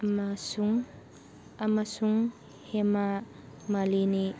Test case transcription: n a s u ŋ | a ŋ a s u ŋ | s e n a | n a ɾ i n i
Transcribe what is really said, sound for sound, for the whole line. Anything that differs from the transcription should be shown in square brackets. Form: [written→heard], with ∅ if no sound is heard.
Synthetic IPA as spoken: [n→m] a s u ŋ | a [ŋ→m] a s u ŋ | [s→h] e [n→m] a | [n→m] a [ɾ→l] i n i